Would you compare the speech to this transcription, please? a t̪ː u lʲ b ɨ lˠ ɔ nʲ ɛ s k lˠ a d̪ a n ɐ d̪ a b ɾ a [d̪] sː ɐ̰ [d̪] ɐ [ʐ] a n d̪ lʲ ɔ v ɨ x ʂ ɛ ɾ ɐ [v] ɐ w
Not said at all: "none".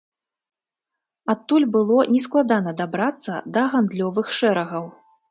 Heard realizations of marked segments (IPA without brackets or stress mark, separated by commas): t̪, d̪, ɣ, ɣ